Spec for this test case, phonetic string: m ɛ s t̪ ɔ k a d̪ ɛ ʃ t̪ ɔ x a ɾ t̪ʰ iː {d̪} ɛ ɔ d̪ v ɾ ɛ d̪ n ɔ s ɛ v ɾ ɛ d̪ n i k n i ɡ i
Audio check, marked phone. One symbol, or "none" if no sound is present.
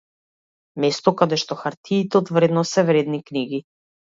t̪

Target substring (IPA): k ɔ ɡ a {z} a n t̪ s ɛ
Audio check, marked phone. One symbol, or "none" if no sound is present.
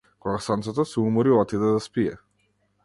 s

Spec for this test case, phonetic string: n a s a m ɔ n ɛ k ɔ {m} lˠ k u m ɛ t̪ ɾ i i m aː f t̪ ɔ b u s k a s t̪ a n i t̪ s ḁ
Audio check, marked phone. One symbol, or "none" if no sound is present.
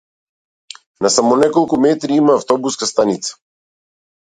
none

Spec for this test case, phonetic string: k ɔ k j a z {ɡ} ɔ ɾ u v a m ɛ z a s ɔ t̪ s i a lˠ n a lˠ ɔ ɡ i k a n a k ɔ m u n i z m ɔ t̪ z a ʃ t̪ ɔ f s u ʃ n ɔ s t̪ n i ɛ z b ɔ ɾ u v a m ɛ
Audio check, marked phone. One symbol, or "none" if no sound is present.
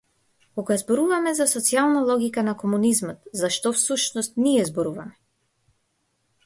b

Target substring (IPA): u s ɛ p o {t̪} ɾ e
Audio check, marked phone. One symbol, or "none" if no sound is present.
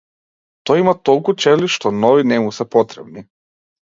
t̪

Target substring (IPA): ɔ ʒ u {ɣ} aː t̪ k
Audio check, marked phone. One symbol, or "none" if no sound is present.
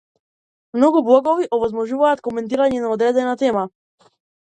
v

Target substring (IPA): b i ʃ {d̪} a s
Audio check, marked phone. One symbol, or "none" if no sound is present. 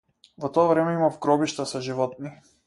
t̪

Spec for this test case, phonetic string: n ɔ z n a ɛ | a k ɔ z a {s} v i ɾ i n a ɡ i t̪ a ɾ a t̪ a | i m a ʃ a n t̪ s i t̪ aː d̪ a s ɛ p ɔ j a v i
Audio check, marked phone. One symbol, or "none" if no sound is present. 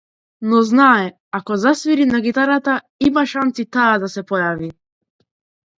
s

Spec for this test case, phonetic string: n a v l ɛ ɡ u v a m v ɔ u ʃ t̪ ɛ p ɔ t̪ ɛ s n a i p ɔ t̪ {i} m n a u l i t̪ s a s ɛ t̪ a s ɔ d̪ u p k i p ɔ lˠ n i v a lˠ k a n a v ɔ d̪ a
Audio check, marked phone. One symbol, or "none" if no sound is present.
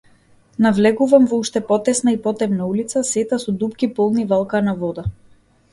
ɛ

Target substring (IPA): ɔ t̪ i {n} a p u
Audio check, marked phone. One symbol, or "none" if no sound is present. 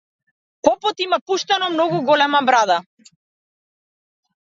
m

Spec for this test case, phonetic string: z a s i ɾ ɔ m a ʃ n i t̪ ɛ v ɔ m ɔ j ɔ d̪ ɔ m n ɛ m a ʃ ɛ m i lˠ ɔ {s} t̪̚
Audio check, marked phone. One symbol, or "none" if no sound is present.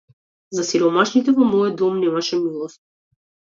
s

